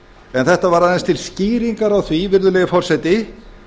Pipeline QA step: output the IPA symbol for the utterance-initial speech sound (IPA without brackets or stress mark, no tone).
ɛ